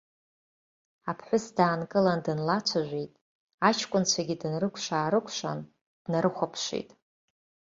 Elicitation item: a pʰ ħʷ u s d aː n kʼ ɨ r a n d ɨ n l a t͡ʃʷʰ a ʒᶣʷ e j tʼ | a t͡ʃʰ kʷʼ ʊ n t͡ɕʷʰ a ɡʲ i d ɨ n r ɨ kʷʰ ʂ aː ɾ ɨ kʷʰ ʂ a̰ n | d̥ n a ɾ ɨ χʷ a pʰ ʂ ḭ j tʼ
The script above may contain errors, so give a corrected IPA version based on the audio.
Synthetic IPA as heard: a pʰ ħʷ ʊ s d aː n kʼ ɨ l a n d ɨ n l a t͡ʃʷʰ a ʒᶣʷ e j tʼ | a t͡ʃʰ kʷʼ ʊ n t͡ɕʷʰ a ɡʲ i d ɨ n r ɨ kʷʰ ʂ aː ɾ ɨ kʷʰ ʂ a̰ n | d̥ n a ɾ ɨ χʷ a pʰ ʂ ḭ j tʼ